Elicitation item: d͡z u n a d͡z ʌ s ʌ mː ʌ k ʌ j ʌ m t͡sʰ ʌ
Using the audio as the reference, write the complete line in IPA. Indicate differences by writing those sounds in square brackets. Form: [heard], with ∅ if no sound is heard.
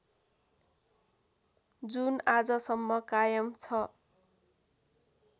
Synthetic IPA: d͡z u n a d͡z ʌ s ʌ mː ʌ k [a] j ʌ m t͡sʰ ʌ